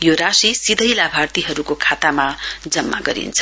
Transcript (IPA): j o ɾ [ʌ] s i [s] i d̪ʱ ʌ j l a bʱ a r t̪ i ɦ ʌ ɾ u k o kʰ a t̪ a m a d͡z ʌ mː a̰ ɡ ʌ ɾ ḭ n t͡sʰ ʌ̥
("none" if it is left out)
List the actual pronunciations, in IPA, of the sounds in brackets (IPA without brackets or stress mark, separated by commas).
a, s